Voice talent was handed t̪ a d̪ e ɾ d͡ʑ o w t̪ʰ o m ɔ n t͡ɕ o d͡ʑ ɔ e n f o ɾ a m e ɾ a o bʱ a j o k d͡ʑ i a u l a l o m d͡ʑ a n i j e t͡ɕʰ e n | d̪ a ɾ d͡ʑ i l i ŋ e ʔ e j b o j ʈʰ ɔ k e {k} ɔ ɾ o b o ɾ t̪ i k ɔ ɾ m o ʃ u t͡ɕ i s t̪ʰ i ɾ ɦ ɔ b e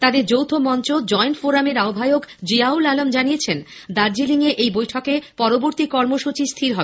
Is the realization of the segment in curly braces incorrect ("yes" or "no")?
yes